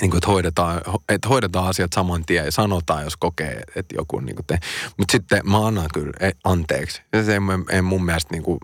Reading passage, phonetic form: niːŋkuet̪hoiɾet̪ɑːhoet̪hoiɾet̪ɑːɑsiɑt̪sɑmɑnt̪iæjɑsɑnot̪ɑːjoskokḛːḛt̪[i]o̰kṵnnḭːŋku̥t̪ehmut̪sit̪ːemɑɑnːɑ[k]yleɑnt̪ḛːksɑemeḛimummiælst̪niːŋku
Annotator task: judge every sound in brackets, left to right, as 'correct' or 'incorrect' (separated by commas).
incorrect, correct